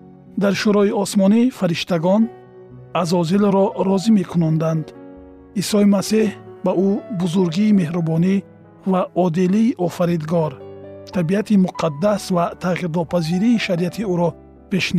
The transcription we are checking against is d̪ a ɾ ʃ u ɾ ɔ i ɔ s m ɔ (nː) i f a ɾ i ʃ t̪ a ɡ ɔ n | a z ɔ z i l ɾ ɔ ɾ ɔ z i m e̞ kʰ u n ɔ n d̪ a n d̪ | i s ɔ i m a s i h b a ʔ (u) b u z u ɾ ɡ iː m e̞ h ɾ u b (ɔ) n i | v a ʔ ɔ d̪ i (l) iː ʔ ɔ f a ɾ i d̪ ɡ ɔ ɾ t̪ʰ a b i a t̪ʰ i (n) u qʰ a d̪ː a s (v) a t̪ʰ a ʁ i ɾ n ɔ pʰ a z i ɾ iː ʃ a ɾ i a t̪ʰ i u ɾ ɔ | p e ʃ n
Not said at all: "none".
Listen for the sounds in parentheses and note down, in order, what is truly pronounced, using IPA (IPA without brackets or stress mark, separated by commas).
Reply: n, u, ɔ, l, m, v